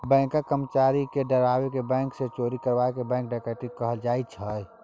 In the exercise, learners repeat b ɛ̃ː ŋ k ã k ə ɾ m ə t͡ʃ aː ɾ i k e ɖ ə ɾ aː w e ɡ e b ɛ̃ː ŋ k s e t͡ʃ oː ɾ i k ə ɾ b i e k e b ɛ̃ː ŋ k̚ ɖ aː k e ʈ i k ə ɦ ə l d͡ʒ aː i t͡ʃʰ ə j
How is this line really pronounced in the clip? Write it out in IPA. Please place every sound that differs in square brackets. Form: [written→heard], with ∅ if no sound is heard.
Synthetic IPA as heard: b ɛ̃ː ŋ k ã k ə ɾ m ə t͡ʃ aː ɾ i k e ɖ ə ɾ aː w e [ɡ→k] e b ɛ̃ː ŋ k s e t͡ʃ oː ɾ i k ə ɾ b [i→a] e k e b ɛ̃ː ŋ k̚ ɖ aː k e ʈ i k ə ɦ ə l d͡ʒ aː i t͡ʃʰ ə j